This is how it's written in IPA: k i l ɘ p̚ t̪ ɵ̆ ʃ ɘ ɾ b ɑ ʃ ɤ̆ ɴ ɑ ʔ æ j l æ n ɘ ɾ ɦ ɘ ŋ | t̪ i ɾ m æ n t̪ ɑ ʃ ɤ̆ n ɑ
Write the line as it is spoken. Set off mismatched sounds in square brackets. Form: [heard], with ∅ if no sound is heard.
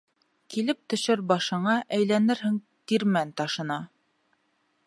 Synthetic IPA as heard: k i l ɘ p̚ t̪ ɵ̆ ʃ ɘ ɾ b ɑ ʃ ɤ̆ ɴ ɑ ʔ æ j l æ n ɘ ɾ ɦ ɘ ŋ | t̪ i ɾ m æ n t̪ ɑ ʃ ɤ̆ n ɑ